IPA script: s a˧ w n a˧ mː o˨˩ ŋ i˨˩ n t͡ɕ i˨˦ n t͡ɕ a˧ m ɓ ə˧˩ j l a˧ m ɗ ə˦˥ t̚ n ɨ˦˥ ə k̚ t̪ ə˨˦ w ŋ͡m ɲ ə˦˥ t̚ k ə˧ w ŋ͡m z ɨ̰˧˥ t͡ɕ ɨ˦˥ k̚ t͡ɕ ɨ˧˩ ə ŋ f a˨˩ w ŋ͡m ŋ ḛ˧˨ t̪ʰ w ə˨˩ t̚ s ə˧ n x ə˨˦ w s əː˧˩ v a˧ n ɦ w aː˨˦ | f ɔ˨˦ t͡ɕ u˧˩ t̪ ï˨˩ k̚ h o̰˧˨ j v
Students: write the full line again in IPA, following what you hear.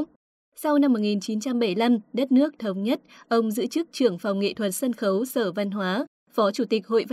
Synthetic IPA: s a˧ w n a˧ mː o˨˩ ŋ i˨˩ n t͡ɕ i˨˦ n t͡ɕ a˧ m ɓ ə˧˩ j l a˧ m ɗ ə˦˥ t̚ n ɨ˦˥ ə k̚ t̪ʰ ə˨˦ w ŋ͡m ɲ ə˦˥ t̚ ʔ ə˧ w ŋ͡m z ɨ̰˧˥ t͡ɕ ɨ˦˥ k̚ t͡ɕ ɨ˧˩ ə ŋ f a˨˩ w ŋ͡m ŋ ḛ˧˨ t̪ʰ w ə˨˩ t̚ s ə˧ n x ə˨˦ w s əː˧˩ v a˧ n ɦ w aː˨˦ | f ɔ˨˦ t͡ɕ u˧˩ t̪ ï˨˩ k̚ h o̰˧˨ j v